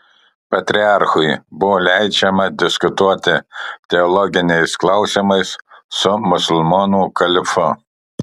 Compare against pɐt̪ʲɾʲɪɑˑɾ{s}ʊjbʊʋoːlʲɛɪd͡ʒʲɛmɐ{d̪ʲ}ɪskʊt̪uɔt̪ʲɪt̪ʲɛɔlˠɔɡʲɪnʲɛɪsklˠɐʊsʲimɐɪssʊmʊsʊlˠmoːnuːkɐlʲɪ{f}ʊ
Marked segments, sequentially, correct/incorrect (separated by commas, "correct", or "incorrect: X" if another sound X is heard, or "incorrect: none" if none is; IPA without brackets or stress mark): incorrect: x, correct, correct